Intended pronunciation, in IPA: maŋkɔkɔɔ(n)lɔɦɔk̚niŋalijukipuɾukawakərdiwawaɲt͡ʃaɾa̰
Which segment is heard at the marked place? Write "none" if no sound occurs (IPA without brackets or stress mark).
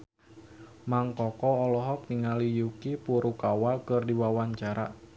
none